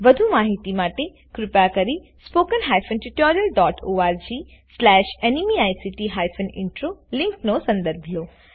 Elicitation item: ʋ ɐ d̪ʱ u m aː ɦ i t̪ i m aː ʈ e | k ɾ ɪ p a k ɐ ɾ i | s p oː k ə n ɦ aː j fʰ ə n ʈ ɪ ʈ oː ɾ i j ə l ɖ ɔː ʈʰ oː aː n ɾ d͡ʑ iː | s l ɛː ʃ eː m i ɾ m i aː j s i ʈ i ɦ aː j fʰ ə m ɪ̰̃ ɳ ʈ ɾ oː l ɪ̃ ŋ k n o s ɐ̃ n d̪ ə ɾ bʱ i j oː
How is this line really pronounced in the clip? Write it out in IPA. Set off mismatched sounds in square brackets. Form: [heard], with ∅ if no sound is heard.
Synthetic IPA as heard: ʋ ɐ d̪ʱ u m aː ɦ i t̪ i m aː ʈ e | k ɾ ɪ p a k ɐ ɾ i | s p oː k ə n ɦ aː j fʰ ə n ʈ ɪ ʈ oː ɾ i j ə l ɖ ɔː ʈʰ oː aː [∅] ɾ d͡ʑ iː | s l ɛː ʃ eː [n] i [∅] m i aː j s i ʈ i ɦ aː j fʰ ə [n] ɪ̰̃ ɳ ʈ ɾ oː l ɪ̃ ŋ k n o s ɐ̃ n d̪ ə ɾ bʱ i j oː

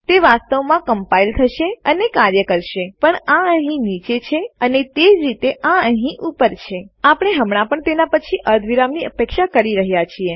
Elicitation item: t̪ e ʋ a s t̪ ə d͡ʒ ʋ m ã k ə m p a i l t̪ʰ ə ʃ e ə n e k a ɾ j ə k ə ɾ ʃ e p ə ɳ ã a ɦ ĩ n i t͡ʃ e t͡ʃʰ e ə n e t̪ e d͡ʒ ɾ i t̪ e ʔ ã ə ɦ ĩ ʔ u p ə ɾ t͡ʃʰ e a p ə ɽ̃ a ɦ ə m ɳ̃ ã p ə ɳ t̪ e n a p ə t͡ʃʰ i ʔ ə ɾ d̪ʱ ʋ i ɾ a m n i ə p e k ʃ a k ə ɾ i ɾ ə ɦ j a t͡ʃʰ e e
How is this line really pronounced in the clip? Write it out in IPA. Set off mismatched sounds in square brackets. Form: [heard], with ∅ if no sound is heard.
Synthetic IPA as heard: t̪ e ʋ a s t̪ ə [∅] ʋ m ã k ə m p a i l t̪ʰ ə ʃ e ə n e k a ɾ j ə k ə ɾ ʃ e p ə ɳ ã [ə] ɦ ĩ n i t͡ʃ e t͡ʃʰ e ə n e t̪ e d͡ʒ ɾ i t̪ e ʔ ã ə ɦ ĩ ʔ u p ə ɾ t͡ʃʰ e a p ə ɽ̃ [e] ɦ ə m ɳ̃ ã p ə ɳ t̪ e n a p ə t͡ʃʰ i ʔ ə ɾ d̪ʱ ʋ i ɾ a m n i ə p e k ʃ a k ə ɾ i ɾ ə ɦ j a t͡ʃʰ [i] e

